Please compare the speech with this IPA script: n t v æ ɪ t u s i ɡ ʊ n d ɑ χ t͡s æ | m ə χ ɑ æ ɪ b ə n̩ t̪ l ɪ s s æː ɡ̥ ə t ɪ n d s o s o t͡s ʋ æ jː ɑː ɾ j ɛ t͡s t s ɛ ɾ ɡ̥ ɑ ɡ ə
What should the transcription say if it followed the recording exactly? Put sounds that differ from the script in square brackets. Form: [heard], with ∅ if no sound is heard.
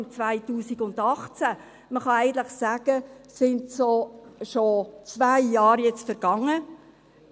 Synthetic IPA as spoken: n [t͡s] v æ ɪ t [uː] s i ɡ ʊ n d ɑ χ t͡s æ | m ə χ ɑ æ ɪ [ɡ] ə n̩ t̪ l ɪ [χ] s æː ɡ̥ ə [s] ɪ n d s o [ʃ] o t͡s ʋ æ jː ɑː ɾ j ɛ t͡s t [f] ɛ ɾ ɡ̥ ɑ [ŋ] ə